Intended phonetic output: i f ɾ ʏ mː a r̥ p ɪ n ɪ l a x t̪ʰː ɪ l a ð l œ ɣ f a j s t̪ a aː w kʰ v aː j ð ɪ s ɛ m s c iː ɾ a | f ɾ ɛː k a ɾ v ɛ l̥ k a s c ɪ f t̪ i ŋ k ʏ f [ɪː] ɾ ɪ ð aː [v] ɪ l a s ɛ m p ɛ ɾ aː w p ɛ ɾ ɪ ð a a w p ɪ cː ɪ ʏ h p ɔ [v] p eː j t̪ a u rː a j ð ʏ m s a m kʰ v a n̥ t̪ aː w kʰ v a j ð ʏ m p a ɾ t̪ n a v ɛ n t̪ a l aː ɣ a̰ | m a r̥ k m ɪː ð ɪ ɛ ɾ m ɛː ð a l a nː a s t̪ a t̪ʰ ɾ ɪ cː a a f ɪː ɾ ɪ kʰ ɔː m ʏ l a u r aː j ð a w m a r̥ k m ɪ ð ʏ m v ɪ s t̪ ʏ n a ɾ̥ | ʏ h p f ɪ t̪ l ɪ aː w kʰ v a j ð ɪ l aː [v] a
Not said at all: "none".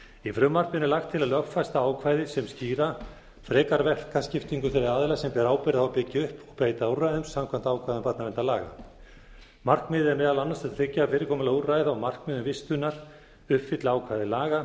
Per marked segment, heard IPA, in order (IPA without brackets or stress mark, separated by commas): ɪ, ð, ɣ, ɣ